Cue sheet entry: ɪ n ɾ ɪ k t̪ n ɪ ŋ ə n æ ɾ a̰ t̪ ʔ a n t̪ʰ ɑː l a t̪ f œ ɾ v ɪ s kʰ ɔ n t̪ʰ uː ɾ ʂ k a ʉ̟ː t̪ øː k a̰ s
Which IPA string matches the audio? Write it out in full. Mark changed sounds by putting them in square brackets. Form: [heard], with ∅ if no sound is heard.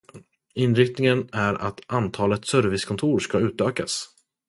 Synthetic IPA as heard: ɪ n ɾ ɪ k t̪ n ɪ ŋ ə n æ ɾ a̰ t̪ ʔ a n t̪ʰ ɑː l [ə] t̪ [s] œ ɾ v ɪ s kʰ ɔ n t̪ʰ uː ɾ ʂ k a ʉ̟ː t̪ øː k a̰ s